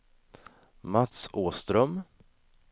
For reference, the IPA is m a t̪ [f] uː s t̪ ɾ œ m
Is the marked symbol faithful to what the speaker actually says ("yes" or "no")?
no